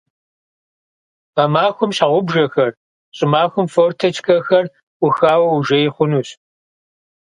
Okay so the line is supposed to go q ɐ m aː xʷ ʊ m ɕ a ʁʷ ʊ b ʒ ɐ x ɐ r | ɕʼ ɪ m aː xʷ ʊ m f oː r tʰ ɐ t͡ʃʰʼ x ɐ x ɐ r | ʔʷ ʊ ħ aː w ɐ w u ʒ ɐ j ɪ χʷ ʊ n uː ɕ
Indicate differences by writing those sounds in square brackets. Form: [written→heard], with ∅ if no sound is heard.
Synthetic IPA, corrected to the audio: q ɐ m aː xʷ ʊ m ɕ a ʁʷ ʊ b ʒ ɐ x ɐ r | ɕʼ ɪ m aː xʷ ʊ m f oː r tʰ ɐ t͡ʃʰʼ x ɐ x ɐ r | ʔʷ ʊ [ħ→x] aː w ɐ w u ʒ ɐ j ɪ χʷ ʊ n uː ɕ